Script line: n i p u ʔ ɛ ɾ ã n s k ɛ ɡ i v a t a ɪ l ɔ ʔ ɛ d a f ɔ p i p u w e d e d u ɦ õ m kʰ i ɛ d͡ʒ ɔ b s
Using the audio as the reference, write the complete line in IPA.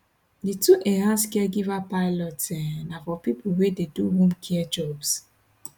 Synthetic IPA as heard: d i t u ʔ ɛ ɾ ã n s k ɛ ɡ i v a p a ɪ l ɔ t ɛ n a f ɔ p i p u w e d e d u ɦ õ m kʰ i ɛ d͡ʒ ɔ b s